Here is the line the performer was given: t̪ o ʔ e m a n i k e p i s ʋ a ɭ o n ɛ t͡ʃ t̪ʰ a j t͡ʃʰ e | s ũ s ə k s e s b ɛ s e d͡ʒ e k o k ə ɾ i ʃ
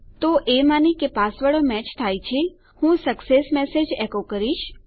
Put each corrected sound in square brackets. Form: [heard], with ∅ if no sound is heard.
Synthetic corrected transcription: t̪ o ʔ e m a n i k e p [a] s ʋ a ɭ o [m] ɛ t͡ʃ t̪ʰ a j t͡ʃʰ e | [h] ũ s ə k s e s [m] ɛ s e d͡ʒ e k o k ə ɾ i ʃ